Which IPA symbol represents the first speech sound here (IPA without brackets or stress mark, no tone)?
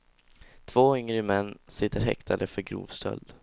t̪ʰ